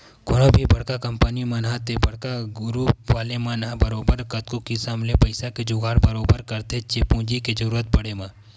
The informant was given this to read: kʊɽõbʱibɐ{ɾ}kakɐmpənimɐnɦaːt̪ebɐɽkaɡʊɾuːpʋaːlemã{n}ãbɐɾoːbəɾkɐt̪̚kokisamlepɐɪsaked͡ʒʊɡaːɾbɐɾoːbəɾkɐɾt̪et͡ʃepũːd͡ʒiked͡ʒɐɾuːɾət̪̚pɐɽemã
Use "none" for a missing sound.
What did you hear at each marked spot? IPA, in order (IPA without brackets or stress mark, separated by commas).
ɽ, n